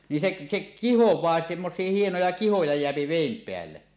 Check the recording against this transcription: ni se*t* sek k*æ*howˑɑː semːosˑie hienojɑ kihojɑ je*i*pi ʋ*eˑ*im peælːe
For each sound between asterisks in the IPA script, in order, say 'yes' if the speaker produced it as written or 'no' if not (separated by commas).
no, no, no, yes